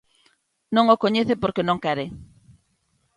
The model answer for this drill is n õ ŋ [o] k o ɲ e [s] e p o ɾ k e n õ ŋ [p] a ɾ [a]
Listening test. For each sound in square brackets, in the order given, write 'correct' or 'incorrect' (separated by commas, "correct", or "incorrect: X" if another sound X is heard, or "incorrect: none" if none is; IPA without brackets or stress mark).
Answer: correct, incorrect: θ, incorrect: k, incorrect: e